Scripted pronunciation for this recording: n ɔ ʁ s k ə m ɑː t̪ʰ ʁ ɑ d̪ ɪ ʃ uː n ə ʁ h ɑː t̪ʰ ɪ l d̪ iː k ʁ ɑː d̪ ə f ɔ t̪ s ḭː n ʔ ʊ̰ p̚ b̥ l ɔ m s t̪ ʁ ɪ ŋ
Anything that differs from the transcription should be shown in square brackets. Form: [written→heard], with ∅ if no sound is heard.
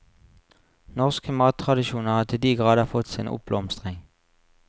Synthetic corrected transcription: n ɔ ʁ s k ə m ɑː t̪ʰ ʁ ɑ d̪ ɪ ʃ uː n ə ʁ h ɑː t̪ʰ ɪ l d̪ iː [k→ɡ] ʁ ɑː d̪ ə f ɔ t̪ s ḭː n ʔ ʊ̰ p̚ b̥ l ɔ m s t̪ ʁ ɪ ŋ